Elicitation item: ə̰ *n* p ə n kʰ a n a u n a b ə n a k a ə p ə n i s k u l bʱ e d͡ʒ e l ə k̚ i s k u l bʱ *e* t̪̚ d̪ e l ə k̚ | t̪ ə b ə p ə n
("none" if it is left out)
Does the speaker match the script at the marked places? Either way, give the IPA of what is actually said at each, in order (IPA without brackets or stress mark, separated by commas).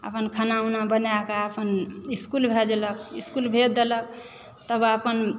none, e